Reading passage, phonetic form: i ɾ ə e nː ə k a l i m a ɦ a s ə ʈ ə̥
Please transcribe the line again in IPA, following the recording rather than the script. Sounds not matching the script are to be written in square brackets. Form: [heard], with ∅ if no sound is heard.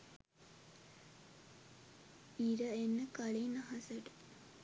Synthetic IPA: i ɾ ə e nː ə k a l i [n] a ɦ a s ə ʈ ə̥

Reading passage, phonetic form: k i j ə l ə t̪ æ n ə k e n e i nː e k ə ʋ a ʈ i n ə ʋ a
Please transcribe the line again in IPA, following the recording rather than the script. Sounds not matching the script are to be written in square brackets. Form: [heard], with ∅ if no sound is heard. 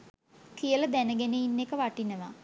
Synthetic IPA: k i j ə l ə [d̪] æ n ə [ɡ] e n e i nː e k ə ʋ a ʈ i n ə ʋ a

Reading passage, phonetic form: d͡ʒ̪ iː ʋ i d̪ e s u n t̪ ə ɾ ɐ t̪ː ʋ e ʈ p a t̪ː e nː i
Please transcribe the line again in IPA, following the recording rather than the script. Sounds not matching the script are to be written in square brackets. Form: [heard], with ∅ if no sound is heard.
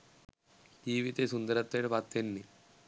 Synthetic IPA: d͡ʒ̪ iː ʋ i [t̪] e s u n [d̪] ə ɾ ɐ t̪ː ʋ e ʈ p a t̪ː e nː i

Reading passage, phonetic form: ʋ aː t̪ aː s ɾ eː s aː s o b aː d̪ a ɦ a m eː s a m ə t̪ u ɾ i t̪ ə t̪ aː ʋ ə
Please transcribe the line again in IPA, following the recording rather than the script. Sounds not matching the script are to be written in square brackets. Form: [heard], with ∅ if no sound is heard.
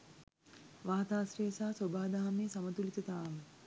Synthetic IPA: ʋ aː t̪ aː s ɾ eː s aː s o b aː d̪ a ɦ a m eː s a m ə t̪ u [l] i t̪ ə t̪ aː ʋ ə

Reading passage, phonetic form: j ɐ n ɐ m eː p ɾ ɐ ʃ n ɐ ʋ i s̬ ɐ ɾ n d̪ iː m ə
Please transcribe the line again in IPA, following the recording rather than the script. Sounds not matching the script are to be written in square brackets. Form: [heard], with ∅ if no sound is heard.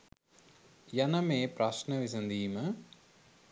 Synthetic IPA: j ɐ n ɐ m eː p ɾ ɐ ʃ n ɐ ʋ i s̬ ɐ [∅] n d̪ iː m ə

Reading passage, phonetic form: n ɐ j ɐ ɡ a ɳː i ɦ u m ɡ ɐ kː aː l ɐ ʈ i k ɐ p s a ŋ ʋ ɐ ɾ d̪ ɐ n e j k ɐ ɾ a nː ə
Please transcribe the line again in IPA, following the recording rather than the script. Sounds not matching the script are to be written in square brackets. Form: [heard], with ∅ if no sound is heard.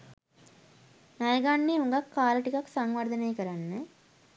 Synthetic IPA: n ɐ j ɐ ɡ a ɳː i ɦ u [ŋ] ɡ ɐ kː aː l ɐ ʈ i k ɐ [k] s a ŋ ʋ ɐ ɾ d̪ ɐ n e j k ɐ ɾ a nː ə

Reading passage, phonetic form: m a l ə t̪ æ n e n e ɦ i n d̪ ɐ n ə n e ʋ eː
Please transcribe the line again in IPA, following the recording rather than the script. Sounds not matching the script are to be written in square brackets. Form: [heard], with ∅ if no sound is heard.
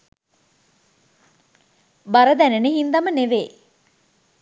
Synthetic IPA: [b] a [ɾ] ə [d̪] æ n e n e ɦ i n d̪ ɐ [m] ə n e ʋ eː

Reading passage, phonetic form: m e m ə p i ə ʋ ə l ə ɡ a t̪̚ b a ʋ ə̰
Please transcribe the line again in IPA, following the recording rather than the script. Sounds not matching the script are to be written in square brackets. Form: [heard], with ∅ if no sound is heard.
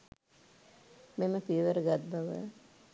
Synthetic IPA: m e m ə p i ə ʋ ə [ɾ] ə ɡ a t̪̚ b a ʋ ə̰

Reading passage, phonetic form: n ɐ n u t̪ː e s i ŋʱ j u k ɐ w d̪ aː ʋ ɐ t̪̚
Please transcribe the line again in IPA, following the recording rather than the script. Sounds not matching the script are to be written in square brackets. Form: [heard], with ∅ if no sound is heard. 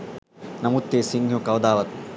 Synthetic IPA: n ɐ [m] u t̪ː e s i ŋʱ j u k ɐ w d̪ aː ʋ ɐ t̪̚

